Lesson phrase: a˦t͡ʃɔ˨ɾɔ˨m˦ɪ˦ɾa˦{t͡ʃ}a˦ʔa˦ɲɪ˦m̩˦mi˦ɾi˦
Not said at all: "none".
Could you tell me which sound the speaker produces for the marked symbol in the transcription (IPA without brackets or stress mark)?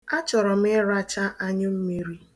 t͡ʃ